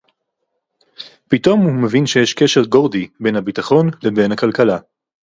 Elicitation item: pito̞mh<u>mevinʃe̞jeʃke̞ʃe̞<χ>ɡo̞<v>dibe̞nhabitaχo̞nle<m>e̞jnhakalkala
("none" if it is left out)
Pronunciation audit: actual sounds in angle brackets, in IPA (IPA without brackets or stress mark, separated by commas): u, ʁ, ʁ, b